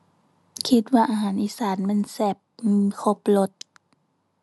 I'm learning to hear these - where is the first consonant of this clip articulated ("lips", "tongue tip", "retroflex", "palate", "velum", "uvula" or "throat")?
velum